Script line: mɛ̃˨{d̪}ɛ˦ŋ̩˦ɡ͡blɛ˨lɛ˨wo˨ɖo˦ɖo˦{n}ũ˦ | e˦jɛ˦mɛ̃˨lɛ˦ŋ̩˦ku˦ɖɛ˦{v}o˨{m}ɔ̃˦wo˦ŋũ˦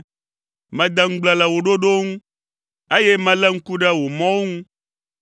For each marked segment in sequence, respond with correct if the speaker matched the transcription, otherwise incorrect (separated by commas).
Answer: correct, incorrect, incorrect, correct